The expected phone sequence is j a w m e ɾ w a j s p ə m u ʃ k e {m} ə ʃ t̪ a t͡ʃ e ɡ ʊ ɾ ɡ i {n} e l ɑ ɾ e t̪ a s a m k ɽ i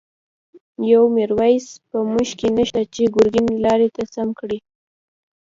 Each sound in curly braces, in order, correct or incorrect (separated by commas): incorrect, correct